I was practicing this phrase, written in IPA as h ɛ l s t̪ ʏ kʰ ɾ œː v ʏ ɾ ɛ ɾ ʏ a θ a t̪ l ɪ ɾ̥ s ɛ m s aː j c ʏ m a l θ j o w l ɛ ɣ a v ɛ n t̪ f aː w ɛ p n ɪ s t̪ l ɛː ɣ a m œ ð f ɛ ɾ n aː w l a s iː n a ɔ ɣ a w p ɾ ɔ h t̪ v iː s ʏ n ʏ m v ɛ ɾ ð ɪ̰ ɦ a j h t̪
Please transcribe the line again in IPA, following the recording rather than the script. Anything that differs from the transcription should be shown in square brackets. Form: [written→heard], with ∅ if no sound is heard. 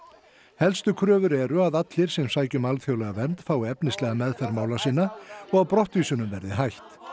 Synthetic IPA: h ɛ l s t̪ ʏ kʰ ɾ œː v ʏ ɾ ɛ ɾ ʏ a [θ→ð] a t̪ l ɪ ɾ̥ s ɛ m s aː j c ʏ m a l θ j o w l ɛ ɣ a v ɛ n t̪ f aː w ɛ p n ɪ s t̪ l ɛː ɣ a m [œ→ɛ] ð f ɛ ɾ [n→m] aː w l a s iː n a ɔ ɣ a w p ɾ ɔ h t̪ v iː s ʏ n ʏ m v ɛ ɾ ð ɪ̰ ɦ a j h t̪